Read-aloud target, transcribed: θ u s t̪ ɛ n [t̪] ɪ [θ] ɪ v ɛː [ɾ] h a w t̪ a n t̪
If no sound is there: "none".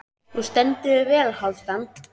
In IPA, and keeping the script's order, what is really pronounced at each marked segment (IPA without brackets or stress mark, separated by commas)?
t̪, ð, l